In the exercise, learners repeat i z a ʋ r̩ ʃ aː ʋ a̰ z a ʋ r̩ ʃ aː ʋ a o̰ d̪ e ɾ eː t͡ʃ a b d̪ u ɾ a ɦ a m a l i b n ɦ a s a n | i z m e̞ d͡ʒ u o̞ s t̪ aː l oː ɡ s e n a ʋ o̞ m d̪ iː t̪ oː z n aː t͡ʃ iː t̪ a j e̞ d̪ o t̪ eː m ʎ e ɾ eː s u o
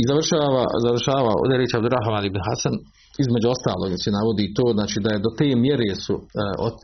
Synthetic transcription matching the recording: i z a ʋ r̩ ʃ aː ʋ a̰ z a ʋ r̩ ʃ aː ʋ a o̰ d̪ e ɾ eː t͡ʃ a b d̪ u ɾ a ɦ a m a l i b n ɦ a s a n | i z m e̞ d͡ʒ u o̞ s t̪ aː l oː ɡ s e n a ʋ o̞ d̪ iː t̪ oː z n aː t͡ʃ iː d̪ a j e̞ d̪ o t̪ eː m j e ɾ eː s u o